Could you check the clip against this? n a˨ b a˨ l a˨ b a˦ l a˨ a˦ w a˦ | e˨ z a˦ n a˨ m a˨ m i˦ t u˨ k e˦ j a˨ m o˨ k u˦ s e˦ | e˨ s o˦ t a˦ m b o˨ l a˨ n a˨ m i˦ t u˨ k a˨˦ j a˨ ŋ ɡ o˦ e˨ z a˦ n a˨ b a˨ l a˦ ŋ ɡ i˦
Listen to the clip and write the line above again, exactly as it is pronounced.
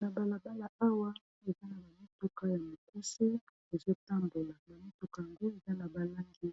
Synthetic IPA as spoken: n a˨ b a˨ l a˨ b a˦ l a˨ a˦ w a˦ | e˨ z a˦ n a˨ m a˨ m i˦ t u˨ k a˦ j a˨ m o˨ k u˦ s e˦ | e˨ z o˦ t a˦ m b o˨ l a˨ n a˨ m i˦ t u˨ k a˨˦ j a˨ ŋ ɡ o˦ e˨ z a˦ n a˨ b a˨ l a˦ ŋ ɡ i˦